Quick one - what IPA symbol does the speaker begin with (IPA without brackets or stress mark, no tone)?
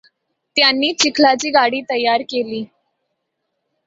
t̪